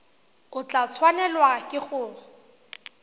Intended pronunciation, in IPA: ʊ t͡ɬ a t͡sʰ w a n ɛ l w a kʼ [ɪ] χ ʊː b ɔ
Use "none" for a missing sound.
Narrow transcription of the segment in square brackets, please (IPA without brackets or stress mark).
ɪ